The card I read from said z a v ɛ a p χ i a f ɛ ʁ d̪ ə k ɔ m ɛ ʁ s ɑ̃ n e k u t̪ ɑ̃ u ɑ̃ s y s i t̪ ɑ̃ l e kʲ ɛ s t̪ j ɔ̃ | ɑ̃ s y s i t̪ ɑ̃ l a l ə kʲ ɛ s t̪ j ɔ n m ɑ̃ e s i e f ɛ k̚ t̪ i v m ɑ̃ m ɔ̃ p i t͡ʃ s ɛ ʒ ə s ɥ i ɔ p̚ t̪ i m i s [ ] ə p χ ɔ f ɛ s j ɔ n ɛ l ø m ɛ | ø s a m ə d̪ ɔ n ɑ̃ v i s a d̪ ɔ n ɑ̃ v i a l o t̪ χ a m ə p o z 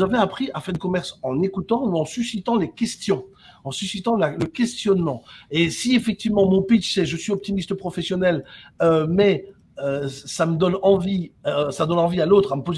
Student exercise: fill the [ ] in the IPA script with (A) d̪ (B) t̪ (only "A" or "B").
B